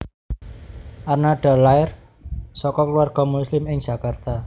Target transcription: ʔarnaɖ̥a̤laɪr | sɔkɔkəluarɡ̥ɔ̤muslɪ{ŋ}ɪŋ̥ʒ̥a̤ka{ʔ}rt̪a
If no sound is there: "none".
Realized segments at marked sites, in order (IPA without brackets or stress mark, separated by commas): m, none